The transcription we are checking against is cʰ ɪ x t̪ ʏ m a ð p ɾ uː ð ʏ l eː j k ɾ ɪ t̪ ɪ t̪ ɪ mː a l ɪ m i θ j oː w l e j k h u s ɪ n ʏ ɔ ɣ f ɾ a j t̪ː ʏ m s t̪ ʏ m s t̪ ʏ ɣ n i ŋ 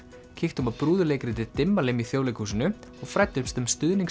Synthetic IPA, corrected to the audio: cʰ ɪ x t̪ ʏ m a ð p ɾ uː ð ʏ l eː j k ɾ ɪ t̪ ɪ t̪ ɪ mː a l ɪ m i θ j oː w l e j k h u s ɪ n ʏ ɔ ɣ f ɾ a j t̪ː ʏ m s t̪ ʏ m s t̪ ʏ ð n i ŋ